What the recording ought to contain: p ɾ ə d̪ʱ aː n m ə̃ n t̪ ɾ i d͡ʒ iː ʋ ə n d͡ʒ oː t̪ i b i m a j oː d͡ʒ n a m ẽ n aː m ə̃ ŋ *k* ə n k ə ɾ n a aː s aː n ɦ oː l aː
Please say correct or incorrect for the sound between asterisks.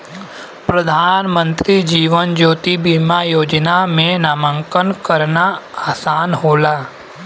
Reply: correct